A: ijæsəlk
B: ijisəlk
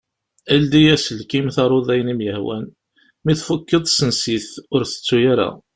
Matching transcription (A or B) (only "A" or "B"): A